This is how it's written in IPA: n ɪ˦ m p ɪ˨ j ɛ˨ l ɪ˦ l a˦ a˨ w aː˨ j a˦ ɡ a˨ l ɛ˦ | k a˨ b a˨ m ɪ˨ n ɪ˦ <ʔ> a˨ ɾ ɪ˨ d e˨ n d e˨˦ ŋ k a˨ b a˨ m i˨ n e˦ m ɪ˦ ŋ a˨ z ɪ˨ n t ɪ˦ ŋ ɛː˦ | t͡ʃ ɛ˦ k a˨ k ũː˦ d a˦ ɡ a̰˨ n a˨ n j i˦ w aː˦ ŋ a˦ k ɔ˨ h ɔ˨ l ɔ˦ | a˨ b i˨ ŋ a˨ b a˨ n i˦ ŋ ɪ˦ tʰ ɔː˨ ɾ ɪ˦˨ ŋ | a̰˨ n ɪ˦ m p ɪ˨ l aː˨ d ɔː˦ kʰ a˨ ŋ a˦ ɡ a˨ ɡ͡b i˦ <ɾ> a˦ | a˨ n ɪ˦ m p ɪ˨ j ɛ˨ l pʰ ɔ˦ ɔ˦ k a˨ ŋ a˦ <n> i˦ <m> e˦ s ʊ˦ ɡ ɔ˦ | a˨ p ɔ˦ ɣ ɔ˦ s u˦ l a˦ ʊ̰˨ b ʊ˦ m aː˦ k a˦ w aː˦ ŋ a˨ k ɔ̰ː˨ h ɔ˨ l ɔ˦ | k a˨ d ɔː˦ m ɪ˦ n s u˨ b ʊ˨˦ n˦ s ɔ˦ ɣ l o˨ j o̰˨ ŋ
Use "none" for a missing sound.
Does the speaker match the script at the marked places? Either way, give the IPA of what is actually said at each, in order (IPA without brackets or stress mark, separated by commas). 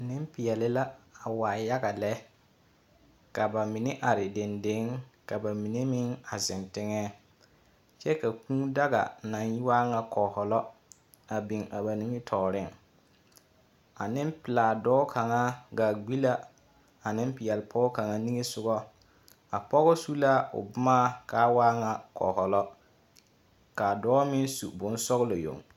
ʔ, l, n, ŋ